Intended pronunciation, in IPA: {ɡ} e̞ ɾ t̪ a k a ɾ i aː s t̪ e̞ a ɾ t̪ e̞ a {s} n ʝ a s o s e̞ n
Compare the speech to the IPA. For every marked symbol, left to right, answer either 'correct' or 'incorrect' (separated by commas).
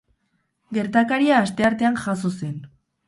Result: correct, incorrect